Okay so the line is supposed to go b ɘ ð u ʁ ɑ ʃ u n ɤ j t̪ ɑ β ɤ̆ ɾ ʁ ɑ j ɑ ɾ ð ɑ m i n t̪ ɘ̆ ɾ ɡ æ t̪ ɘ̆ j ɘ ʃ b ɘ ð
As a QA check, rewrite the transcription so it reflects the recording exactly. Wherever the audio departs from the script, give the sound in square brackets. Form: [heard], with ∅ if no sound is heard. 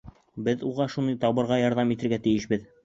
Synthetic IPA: b ɘ ð u ʁ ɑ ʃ u n ɤ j t̪ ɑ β ɤ̆ ɾ ʁ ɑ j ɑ ɾ ð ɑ m i [∅] t̪ ɘ̆ ɾ ɡ æ t̪ ɘ̆ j ɘ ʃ b ɘ ð